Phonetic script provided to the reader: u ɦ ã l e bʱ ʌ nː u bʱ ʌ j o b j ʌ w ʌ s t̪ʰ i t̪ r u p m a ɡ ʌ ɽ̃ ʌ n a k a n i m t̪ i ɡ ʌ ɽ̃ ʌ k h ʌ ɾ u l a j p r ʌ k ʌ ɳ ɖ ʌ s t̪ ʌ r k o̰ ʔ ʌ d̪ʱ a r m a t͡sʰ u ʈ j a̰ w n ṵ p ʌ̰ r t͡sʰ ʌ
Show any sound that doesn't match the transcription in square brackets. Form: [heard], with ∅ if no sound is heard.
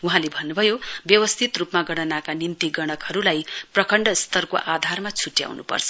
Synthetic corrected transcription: u ɦ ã l e bʱ ʌ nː u bʱ ʌ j o b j ʌ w ʌ s t̪ʰ i t̪ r u p m a ɡ ʌ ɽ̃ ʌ n a k a n i [n] t̪ i ɡ ʌ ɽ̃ ʌ k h ʌ ɾ u l a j p r ʌ k ʌ ɳ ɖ ʌ s t̪ ʌ r k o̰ ʔ [a] d̪ʱ a r m a t͡sʰ u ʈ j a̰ w n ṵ p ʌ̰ r t͡sʰ ʌ